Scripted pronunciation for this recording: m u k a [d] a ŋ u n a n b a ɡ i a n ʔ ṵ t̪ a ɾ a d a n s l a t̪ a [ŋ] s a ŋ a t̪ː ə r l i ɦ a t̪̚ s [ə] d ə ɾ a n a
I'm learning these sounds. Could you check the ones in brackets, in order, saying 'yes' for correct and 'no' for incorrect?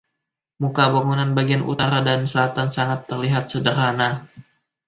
no, no, yes

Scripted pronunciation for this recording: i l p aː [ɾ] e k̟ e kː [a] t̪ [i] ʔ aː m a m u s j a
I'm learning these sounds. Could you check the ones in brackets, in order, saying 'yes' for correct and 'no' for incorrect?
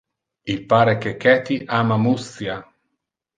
yes, no, yes

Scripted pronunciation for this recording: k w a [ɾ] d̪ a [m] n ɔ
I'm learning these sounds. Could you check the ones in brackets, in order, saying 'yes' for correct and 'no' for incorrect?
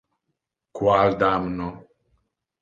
no, yes

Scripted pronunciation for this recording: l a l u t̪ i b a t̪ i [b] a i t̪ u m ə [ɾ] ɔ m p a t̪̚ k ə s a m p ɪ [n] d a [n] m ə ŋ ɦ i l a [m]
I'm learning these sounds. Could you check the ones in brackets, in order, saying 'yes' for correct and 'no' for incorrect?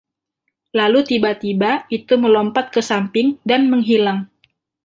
yes, no, no, yes, no

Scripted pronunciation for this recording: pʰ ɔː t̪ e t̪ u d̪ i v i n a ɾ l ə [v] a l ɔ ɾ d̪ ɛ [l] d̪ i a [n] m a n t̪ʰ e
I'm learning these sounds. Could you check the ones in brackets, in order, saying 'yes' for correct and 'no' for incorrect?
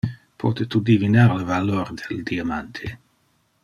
yes, yes, no

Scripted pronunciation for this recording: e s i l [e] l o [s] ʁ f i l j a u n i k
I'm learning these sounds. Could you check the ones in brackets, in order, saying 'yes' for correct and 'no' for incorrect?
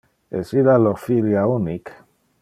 no, no

